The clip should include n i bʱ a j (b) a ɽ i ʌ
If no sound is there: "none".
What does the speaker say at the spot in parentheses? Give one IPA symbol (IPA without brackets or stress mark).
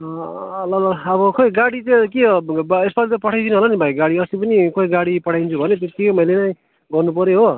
ɡ